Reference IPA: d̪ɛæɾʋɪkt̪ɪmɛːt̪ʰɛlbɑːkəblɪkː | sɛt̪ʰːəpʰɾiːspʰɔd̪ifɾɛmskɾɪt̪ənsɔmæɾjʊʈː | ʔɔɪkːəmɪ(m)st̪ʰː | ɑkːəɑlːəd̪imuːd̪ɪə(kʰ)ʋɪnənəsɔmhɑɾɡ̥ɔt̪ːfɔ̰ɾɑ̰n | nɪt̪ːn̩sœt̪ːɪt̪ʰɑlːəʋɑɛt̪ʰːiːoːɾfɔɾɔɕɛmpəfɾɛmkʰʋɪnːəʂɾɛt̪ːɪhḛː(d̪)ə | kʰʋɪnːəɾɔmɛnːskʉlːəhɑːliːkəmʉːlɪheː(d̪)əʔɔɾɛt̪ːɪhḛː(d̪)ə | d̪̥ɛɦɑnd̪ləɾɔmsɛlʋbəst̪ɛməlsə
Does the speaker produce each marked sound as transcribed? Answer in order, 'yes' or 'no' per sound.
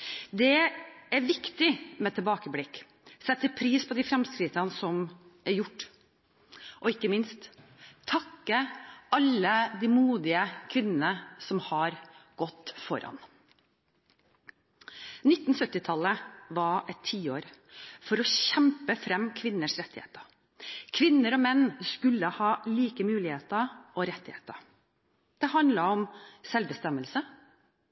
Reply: no, yes, no, no, no

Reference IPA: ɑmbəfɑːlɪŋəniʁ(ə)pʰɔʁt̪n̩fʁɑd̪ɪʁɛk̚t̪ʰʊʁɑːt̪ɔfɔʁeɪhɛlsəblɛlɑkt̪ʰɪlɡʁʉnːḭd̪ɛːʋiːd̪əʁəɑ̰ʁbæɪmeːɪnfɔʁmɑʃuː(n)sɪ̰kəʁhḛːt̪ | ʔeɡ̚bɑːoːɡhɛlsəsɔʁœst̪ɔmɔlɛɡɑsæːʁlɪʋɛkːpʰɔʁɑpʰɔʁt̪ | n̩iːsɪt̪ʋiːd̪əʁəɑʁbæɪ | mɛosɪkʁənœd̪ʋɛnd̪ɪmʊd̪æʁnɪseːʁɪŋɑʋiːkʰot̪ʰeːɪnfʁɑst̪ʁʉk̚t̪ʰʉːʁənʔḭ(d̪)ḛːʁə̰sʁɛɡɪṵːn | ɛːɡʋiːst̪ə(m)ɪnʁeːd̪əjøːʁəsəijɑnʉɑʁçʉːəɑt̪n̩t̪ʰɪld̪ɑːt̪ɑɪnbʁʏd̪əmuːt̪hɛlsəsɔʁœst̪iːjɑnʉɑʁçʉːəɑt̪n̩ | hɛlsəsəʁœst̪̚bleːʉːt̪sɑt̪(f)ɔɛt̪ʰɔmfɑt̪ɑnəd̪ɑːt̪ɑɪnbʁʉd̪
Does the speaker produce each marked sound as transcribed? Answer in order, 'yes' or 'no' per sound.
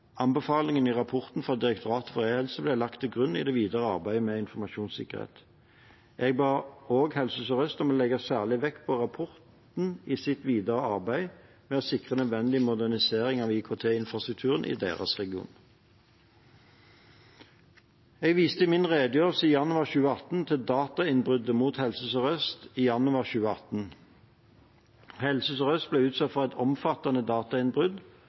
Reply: no, yes, yes, yes, yes

